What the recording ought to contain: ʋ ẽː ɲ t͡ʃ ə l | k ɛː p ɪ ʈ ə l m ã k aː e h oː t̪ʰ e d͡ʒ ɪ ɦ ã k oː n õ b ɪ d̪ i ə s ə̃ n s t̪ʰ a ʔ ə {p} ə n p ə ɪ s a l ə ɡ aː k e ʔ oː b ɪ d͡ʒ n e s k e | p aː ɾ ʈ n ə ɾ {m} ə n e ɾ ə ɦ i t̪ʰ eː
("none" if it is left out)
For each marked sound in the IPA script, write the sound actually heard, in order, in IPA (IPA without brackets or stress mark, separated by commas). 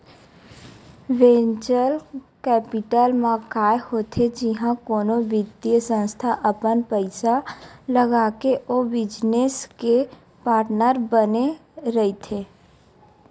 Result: p, b